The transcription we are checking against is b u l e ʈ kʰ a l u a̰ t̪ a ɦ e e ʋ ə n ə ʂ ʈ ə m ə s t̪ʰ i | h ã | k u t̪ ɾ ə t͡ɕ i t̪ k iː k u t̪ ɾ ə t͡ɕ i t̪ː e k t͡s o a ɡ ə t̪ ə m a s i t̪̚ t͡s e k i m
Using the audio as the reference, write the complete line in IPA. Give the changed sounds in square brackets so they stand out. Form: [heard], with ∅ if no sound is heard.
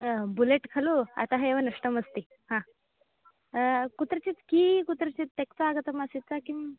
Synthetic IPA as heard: b u l e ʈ kʰ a l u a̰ t̪ a ɦ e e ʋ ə n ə ʂ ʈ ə m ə s [t̪] i | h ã | k u t̪ ɾ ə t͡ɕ i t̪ k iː k u t̪ ɾ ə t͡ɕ i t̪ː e k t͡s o a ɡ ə t̪ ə m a s i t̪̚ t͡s [a] k i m